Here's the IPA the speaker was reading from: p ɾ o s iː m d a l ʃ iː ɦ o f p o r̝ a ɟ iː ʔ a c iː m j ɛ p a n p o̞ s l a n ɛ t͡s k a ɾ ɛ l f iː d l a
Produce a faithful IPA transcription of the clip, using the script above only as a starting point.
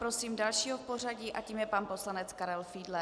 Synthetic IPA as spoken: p ɾ o s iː m d a l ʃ iː ɦ o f p o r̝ a ɟ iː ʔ a c iː m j ɛ p a n p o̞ s l a n ɛ t͡s k a ɾ ɛ l f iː d l ɛ